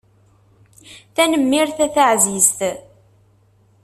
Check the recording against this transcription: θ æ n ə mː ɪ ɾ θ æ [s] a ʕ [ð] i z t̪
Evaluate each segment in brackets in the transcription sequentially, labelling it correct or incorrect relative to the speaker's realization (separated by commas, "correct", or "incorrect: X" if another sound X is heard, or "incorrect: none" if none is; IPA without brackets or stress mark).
incorrect: θ, incorrect: z